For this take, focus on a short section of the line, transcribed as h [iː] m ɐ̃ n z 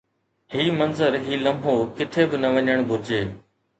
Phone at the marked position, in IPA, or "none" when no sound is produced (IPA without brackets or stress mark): iː